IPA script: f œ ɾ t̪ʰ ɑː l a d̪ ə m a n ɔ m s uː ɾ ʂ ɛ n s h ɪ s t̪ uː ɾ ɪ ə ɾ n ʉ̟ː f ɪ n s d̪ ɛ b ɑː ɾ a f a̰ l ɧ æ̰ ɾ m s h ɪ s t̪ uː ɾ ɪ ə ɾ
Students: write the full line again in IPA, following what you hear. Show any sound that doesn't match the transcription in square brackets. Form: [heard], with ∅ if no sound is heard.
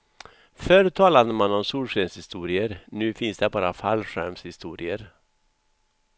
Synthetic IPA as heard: f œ ɾ t̪ʰ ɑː l a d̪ ə m a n ɔ m s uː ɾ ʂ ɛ n s h ɪ s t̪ uː ɾ ɪ ə ɾ n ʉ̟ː f ɪ n s d̪ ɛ b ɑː ɾ a f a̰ l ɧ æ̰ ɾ m s h ɪ s t̪ uː ɾ ɪ ə ɾ